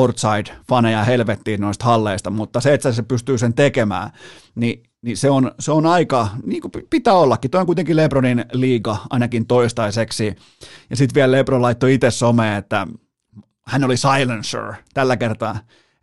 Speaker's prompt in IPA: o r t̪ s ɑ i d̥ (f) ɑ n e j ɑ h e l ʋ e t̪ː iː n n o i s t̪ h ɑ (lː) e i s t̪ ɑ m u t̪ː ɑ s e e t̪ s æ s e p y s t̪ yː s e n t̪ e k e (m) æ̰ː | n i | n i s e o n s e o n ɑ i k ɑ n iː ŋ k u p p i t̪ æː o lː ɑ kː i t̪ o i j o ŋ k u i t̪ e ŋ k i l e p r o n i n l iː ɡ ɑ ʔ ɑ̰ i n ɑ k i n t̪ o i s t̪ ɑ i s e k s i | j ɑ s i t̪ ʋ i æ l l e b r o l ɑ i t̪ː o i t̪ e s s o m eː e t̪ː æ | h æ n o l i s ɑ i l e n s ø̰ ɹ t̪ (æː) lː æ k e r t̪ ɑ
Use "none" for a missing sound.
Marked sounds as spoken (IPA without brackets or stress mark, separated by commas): f, lː, m, æ